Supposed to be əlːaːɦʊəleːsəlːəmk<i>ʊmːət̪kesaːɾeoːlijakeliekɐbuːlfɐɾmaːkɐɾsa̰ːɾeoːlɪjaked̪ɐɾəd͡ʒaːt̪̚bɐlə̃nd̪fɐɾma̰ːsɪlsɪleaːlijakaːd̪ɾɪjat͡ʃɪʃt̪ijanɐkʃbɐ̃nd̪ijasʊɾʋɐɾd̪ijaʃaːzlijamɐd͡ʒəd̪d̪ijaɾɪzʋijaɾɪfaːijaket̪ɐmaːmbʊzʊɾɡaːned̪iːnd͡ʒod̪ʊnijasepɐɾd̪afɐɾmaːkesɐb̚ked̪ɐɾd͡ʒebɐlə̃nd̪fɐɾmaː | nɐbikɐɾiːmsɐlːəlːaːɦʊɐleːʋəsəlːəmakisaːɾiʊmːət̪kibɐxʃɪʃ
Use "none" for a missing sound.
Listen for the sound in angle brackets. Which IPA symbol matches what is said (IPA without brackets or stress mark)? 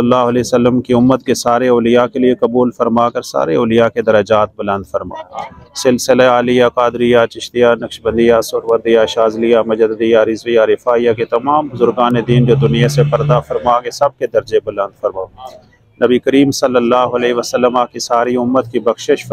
i